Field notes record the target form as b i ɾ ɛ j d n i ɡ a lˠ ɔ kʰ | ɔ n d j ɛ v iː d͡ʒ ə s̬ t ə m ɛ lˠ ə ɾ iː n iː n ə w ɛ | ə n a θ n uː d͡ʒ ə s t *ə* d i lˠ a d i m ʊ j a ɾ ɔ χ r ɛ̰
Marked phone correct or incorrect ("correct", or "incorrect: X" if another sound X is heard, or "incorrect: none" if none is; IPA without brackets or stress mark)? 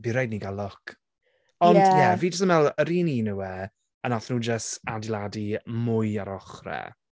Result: incorrect: a